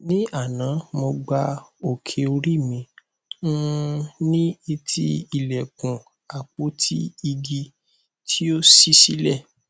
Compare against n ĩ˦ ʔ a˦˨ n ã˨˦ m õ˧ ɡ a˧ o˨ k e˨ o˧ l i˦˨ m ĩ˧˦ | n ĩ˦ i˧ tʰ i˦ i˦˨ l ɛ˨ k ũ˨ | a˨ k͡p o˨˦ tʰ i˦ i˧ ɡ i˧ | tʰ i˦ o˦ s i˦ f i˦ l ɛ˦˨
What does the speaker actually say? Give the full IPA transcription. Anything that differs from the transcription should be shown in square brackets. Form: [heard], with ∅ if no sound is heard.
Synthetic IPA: n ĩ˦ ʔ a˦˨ n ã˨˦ m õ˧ [ɡ͡b] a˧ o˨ [kʰ] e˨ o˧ [ɾ] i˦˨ m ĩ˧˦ | n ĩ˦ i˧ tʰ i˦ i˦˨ l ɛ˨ k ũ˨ | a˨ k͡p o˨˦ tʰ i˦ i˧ ɡ i˧ | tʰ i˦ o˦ s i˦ [s] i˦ l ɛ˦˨